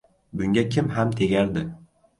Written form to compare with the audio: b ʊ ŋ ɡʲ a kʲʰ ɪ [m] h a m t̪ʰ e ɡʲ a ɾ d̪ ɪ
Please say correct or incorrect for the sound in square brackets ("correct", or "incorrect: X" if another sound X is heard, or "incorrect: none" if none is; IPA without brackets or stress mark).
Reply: correct